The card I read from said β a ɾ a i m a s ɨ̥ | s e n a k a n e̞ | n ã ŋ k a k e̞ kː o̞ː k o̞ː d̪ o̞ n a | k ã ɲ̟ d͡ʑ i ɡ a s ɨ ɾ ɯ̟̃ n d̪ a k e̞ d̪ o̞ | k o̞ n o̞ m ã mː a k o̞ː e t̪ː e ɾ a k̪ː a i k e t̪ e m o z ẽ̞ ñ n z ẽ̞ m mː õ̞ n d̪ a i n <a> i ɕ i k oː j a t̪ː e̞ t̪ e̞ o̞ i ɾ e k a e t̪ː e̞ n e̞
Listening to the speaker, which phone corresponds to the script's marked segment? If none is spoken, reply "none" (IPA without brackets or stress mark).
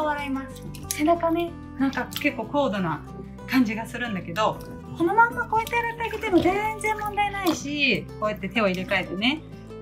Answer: a